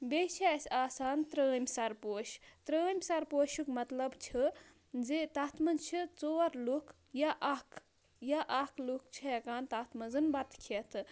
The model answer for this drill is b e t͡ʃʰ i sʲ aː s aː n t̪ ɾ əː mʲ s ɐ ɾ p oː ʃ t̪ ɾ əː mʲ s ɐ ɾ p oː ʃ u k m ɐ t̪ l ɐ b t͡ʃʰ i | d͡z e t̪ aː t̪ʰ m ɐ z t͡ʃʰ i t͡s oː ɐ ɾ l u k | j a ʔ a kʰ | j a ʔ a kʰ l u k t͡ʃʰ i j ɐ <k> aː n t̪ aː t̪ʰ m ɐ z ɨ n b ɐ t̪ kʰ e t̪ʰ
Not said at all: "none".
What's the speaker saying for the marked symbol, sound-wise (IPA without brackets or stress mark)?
k